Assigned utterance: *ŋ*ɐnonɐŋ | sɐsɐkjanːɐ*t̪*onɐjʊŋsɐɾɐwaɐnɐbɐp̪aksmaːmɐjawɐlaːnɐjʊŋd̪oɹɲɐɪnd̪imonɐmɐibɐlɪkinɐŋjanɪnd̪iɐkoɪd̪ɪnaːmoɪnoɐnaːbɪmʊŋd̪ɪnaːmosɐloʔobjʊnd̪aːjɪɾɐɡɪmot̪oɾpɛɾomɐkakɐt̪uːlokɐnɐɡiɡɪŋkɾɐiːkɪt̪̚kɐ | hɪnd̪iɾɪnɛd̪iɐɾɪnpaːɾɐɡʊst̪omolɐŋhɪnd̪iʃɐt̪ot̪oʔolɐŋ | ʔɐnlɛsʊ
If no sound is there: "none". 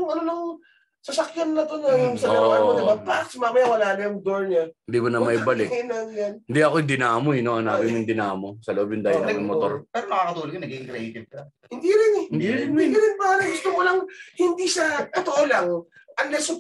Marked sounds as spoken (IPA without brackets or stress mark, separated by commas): ŋ, t̪